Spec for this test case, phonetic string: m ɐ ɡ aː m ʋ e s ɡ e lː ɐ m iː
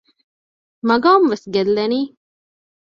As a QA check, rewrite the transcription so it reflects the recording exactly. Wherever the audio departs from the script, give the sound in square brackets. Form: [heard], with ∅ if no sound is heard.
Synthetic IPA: m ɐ ɡ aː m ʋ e s ɡ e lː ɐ [n] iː